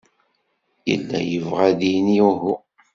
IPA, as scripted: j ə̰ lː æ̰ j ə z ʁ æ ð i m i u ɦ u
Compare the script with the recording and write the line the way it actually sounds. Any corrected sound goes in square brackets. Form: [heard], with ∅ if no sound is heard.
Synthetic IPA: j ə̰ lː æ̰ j ə [v] ʁ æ ð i [n] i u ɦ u